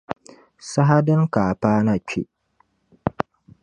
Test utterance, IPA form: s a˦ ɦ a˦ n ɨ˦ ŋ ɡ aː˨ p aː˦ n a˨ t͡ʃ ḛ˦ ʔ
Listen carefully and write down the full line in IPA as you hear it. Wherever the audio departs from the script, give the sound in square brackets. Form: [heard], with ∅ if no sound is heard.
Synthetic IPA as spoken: s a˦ ɦ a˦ [d] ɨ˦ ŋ [k] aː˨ p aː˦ n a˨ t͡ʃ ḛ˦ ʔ